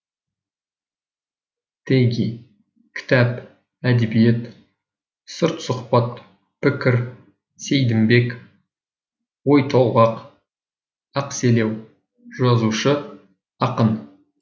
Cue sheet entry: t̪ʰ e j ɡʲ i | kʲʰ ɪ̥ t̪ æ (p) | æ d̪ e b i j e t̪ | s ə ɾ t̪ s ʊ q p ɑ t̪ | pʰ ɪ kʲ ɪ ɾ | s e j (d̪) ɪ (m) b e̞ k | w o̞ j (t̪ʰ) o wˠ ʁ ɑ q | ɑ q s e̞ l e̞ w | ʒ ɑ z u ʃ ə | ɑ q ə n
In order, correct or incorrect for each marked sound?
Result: correct, correct, correct, correct

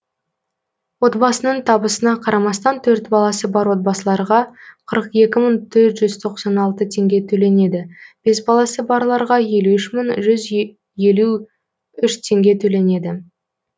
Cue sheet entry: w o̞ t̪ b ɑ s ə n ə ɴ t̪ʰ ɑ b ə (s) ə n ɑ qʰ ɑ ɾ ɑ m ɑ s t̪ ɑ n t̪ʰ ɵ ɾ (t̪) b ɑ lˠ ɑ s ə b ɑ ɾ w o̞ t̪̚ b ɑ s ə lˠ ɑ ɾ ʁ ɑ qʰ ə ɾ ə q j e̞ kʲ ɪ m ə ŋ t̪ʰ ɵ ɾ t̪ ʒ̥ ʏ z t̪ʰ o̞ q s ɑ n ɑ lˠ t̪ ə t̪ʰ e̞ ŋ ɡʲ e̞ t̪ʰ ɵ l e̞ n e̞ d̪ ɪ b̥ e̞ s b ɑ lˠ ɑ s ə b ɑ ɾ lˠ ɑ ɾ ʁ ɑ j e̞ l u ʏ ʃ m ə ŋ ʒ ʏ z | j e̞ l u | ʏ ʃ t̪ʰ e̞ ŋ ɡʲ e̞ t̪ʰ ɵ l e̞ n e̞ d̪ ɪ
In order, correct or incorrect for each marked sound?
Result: correct, correct

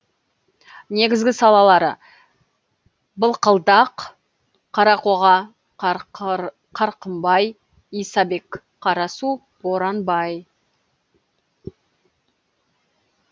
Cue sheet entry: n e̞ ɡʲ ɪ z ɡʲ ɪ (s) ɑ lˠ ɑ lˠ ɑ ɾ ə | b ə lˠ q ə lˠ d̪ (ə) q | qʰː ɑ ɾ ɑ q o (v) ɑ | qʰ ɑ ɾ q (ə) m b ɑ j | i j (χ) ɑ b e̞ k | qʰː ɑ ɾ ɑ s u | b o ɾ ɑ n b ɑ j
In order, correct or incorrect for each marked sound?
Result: correct, incorrect: ɑ, incorrect: ʁ, correct, incorrect: s

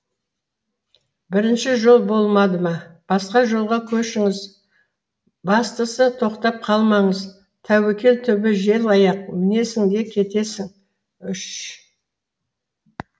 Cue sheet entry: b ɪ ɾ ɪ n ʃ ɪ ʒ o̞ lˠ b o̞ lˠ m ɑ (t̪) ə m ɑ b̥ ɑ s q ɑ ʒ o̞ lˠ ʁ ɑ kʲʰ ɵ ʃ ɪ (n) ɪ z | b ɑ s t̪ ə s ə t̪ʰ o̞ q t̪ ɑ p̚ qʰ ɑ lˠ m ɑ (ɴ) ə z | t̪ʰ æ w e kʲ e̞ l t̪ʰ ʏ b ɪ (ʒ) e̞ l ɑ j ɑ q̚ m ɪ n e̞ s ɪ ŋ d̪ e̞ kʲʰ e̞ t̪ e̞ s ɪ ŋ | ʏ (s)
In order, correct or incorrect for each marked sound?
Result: incorrect: d̪, incorrect: ŋ, correct, correct, incorrect: ʃ

